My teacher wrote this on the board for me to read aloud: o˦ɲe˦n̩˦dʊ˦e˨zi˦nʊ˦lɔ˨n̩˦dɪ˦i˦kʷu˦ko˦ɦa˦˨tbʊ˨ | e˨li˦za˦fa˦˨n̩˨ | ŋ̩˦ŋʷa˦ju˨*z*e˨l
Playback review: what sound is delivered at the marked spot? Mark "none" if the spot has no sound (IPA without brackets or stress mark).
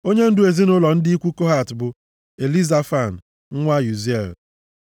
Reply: z